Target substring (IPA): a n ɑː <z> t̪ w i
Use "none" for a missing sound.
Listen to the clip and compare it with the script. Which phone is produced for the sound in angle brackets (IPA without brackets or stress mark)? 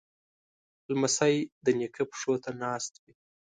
s